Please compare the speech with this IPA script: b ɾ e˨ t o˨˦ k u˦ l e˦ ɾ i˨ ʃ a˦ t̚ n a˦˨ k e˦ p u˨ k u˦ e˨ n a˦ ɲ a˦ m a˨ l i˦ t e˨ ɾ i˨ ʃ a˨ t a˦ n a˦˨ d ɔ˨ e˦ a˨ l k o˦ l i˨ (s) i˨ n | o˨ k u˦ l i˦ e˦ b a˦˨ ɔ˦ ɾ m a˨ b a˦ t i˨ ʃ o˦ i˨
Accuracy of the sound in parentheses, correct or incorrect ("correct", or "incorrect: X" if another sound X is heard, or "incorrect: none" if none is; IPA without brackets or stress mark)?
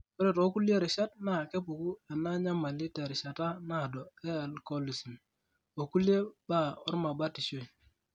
correct